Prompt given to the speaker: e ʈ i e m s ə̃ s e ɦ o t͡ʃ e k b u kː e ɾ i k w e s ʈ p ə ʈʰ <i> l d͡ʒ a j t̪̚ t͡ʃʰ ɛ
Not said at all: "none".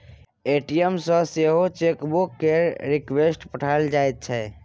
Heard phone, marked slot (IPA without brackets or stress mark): a